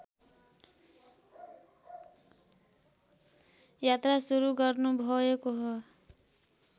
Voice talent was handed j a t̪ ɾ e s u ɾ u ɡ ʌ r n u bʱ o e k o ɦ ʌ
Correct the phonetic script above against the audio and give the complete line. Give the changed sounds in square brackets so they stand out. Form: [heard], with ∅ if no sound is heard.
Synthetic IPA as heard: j a t̪ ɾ [a] s u ɾ u ɡ ʌ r n u bʱ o e k o ɦ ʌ